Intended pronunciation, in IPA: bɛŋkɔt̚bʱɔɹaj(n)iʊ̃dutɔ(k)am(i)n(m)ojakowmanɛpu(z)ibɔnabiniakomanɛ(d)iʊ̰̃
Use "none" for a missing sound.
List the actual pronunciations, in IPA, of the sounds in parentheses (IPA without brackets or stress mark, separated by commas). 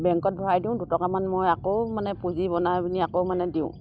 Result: d, k, a, m, z, d